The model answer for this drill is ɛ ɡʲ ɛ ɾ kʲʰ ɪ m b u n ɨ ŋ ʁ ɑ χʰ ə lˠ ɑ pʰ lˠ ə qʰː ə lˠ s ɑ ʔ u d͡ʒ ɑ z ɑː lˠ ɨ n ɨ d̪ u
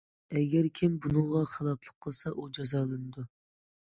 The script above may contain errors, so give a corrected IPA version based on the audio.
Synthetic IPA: ɛ ɡʲ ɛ ɾ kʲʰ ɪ m b u n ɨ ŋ ʁ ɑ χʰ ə lˠ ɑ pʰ lˠ ə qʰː ə lˠ s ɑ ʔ u d͡ʒ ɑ z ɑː lˠ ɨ n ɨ d̪ u